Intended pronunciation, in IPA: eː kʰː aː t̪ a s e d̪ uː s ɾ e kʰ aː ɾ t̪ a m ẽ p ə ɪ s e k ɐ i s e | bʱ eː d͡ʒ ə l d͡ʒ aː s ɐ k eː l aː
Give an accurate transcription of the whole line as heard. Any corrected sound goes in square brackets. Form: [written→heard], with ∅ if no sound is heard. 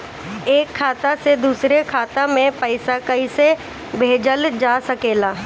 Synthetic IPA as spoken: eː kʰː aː t̪ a s e d̪ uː s ɾ e kʰ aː [ɾ→∅] t̪ a m ẽ p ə ɪ s [e→a] k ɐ i s e | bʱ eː d͡ʒ ə l d͡ʒ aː s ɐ k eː l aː